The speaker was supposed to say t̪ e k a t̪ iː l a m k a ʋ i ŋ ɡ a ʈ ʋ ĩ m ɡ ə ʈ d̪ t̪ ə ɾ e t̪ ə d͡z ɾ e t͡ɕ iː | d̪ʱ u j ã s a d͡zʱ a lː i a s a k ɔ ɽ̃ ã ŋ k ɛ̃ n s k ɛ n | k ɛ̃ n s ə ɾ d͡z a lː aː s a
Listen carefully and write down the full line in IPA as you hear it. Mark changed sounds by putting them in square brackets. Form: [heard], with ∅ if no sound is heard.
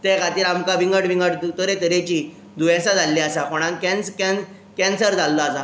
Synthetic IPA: t̪ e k a t̪ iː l a m k a ʋ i ŋ ɡ [ə] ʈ ʋ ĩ [ŋ] ɡ ə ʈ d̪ t̪ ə ɾ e t̪ ə [∅] ɾ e t͡ɕ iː | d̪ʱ u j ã s a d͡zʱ a lː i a s a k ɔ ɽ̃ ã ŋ k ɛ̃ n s k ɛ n | k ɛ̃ n s ə ɾ d͡z a lː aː s a